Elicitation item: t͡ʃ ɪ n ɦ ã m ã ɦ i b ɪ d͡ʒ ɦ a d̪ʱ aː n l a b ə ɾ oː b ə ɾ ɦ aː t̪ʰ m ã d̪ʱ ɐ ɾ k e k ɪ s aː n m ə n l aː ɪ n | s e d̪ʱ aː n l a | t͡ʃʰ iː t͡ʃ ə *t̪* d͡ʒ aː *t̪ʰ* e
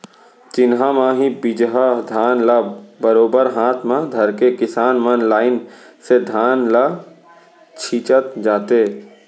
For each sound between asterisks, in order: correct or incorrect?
correct, incorrect: t̪

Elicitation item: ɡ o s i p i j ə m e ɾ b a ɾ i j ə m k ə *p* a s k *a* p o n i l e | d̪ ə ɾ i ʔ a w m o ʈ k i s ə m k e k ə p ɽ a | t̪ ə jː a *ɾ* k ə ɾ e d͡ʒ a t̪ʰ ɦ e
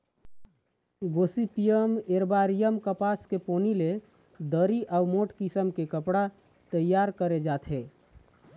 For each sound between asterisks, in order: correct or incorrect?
correct, incorrect: e, correct

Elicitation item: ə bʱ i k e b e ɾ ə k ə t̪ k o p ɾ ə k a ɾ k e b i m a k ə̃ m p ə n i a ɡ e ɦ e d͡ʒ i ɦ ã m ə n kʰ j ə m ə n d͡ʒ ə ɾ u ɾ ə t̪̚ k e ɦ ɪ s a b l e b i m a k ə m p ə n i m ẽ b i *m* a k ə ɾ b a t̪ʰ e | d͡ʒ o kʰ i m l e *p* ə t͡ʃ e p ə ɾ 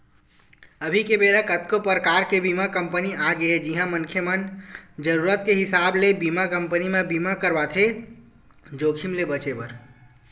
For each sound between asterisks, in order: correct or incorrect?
correct, incorrect: b

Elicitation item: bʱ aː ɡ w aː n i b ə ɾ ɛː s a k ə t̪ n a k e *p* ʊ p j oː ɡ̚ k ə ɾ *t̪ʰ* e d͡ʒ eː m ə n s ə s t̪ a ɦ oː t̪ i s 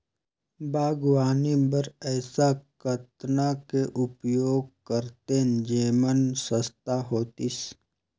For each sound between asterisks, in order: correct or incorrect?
incorrect: ʔ, incorrect: t̪

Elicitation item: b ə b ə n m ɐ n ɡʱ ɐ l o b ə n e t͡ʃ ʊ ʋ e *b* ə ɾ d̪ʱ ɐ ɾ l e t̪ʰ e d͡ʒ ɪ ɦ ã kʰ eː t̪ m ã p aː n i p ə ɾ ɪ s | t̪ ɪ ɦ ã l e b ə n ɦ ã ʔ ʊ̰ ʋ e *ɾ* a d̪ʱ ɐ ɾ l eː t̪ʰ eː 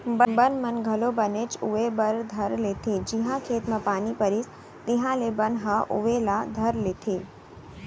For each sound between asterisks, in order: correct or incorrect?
correct, incorrect: l

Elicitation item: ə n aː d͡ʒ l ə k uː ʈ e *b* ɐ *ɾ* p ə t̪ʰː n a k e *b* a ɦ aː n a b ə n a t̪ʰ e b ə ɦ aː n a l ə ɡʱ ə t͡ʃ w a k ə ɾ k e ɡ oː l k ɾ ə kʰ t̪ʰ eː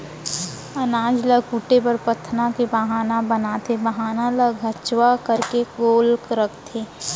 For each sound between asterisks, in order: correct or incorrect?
incorrect: p, correct, correct

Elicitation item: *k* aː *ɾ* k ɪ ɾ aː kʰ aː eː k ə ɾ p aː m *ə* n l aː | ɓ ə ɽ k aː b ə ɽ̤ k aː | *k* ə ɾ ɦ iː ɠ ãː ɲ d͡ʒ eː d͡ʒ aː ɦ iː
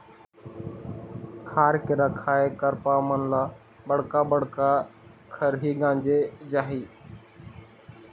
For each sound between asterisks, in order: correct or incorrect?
incorrect: kʰ, correct, correct, incorrect: kʰ

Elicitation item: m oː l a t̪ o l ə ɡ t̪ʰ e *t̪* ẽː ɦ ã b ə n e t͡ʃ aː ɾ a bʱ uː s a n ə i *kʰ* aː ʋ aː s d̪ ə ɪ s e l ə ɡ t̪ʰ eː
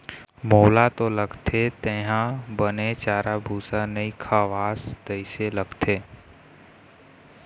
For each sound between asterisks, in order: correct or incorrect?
correct, correct

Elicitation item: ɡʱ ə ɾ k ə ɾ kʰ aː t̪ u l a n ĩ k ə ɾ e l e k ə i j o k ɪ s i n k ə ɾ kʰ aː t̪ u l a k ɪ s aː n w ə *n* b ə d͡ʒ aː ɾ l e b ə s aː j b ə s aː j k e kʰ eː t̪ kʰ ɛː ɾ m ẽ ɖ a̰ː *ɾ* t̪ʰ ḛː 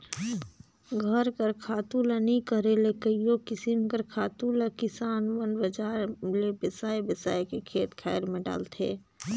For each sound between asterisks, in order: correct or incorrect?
correct, incorrect: l

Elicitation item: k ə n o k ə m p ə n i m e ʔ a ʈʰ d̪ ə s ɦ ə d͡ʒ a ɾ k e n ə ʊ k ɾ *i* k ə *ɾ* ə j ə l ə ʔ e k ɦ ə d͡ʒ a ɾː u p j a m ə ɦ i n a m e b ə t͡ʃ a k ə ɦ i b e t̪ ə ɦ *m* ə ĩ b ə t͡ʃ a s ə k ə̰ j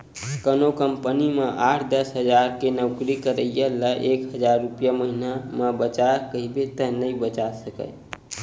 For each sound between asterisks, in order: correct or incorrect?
correct, correct, incorrect: n

